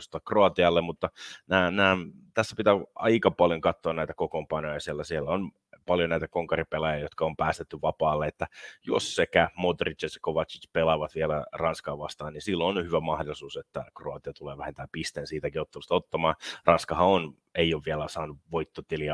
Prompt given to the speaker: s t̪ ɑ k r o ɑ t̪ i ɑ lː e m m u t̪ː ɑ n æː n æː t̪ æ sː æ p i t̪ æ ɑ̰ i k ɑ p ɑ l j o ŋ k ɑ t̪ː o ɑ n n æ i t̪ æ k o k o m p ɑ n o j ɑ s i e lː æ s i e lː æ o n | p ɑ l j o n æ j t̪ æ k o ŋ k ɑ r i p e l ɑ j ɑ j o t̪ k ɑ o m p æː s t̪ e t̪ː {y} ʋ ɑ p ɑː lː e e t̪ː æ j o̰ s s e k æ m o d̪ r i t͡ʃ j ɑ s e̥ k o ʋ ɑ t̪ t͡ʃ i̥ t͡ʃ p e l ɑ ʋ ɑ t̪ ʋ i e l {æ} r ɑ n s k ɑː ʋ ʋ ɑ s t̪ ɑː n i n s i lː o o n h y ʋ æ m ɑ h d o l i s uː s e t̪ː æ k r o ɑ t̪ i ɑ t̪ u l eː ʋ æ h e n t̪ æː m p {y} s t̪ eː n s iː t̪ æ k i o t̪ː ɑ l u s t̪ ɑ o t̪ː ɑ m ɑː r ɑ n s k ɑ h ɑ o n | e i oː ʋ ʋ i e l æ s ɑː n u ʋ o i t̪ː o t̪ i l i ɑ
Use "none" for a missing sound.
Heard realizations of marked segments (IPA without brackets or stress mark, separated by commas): y, æ, i